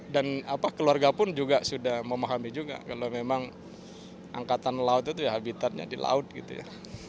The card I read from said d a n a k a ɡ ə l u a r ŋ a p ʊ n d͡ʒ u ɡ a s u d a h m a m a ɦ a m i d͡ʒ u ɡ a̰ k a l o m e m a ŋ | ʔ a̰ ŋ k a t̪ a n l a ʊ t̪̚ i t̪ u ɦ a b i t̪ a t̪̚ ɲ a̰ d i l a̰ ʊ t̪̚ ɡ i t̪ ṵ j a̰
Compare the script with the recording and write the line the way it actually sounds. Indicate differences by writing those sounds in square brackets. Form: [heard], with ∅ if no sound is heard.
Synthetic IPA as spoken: d a n a [p] a [k] ə l u a r [ɡ] a p ʊ n d͡ʒ u ɡ a s u d a h m [ə] m a ɦ a m i d͡ʒ u ɡ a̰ k a l o m e m a ŋ | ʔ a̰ ŋ k a t̪ a n l a ʊ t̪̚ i t̪ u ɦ a b i t̪ a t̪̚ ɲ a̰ d i l a̰ ʊ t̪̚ ɡ i t̪ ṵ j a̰